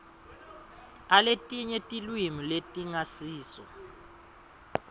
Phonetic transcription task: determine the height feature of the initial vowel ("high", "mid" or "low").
low